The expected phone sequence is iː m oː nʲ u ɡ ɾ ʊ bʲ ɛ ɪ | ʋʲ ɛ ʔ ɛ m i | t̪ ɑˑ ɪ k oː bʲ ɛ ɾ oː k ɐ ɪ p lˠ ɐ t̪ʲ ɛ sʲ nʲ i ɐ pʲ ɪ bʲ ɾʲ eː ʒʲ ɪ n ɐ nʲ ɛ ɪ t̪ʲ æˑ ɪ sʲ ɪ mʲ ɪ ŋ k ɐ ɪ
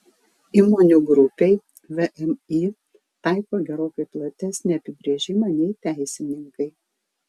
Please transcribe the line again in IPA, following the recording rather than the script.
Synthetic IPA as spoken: iː m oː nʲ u ɡ ɾ ʊ pʲ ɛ ɪ | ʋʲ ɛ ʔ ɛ m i | t̪ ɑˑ ɪ k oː ɡʲ ɛ ɾ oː k ɐ ɪ p lˠ ɐ t̪ʲ ɛ sʲ nʲ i ɐ pʲ ɪ bʲ ɾʲ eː ʒʲ ɪ m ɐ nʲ ɛ ɪ t̪ʲ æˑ ɪ sʲ ɪ nʲ ɪ ŋ k ɐ ɪ